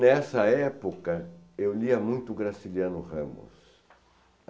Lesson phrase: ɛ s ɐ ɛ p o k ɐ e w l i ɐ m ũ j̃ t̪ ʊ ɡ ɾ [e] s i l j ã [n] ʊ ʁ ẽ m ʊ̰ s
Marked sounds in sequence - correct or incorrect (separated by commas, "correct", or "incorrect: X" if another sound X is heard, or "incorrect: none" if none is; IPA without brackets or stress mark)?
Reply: incorrect: a, correct